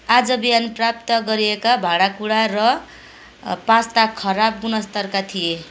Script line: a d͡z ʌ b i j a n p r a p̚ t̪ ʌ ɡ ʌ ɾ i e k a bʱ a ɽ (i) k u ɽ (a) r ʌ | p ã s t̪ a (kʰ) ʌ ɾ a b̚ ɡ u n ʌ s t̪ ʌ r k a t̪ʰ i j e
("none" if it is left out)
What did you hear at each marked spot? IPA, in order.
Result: a, a, kʰ

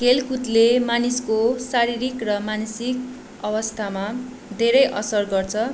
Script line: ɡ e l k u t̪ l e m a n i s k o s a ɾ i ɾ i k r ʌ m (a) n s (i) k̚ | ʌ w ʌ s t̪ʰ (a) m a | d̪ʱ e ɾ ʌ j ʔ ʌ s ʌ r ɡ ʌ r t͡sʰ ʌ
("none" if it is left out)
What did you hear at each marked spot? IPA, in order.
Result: a, i, a

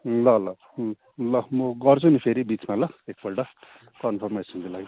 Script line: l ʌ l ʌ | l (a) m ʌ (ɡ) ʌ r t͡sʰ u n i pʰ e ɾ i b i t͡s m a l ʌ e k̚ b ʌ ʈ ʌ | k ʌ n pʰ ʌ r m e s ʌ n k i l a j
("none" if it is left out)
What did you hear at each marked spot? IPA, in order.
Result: ʌ, ɡ

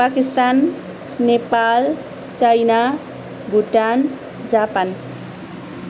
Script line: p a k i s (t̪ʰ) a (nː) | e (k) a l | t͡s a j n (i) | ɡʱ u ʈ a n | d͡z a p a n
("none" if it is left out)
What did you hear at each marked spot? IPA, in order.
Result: t̪, nː, p, a

